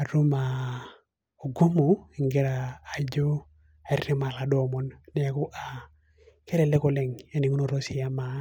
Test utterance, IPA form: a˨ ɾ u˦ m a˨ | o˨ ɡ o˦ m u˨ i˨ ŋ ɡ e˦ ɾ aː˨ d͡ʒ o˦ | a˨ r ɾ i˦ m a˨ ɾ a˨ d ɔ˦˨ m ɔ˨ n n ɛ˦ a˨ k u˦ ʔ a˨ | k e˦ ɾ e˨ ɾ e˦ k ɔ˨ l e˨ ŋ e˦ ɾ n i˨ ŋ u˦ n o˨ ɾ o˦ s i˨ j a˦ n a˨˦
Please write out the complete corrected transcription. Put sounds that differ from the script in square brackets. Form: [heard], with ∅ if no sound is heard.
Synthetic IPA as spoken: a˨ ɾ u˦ m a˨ | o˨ ɡ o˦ m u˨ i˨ ŋ ɡ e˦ ɾ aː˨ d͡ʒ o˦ | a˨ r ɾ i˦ m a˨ [l] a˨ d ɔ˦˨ m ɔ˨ n n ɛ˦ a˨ k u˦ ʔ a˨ | k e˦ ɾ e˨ [l] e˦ k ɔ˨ l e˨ ŋ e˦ [∅] n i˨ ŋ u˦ n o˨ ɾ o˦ s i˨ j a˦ [m] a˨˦